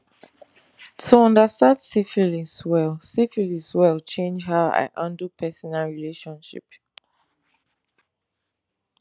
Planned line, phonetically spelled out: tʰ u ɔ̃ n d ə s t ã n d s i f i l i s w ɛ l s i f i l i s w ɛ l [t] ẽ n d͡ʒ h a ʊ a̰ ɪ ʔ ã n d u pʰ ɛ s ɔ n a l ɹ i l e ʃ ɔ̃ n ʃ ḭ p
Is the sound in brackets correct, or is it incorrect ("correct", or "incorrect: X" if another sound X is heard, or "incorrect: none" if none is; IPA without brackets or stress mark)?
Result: incorrect: t͡ʃ